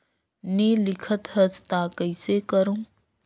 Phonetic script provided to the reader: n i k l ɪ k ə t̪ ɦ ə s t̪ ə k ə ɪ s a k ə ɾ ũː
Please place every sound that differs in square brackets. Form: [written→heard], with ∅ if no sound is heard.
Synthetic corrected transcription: n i [k→∅] l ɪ [k→kʰ] ə t̪ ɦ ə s t̪ [ə→a] k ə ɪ s [a→e] k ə ɾ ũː